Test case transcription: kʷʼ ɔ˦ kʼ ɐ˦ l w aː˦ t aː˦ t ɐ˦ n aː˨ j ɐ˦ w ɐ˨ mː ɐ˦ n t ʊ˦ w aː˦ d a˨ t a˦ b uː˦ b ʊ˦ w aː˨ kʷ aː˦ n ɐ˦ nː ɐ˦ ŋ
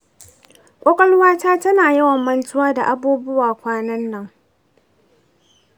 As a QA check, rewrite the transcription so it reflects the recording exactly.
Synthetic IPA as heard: kʷʼ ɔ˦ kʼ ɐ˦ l w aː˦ t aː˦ t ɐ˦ n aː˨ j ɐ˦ w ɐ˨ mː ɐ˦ n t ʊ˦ w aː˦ d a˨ ʔ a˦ b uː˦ b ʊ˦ w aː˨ kʷ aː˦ n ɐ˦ nː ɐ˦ ŋ